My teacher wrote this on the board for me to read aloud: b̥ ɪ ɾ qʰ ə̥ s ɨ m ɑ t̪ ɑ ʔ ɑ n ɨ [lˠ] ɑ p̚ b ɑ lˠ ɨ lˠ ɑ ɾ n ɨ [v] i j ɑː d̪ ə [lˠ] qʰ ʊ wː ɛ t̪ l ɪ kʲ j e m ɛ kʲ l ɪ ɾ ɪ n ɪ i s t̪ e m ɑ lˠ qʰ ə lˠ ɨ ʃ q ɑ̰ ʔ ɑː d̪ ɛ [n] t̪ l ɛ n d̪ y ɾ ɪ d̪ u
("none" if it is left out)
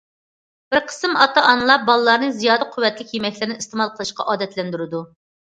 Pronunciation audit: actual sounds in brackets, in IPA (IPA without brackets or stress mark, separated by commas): lˠ, z, none, none